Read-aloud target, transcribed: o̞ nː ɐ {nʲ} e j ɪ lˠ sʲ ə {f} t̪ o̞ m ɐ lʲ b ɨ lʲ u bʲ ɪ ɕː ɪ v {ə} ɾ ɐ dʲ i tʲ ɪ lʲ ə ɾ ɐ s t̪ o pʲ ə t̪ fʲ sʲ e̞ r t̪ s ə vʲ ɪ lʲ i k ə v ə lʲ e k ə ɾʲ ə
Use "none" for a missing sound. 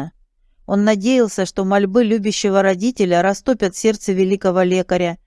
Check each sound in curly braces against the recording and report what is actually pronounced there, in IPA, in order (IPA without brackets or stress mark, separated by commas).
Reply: dʲ, ʂ, ə